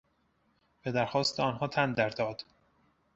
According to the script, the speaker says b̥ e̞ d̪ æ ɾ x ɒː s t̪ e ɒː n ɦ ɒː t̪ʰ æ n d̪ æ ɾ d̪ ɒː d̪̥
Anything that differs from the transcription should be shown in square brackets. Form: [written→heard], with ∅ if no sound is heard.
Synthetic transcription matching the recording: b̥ e̞ d̪ æ ɾ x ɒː s t̪ e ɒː n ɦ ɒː t̪ʰ æ n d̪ æ ɾ d̪ ɒː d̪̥